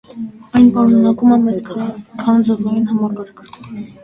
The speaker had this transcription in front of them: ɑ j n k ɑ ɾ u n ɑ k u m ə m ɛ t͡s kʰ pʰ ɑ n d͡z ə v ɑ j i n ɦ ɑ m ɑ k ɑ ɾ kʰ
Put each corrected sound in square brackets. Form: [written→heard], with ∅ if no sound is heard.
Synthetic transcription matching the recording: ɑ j n [k→p] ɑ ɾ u n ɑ k u m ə m ɛ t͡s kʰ [pʰ→kʰ] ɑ n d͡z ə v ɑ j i n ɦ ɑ m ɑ k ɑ ɾ kʰ